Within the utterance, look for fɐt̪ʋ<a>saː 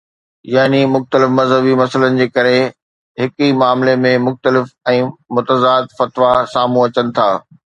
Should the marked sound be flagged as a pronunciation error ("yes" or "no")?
no